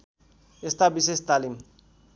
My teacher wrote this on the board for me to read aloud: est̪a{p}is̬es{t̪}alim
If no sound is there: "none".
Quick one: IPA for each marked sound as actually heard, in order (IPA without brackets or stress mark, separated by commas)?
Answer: b, t̪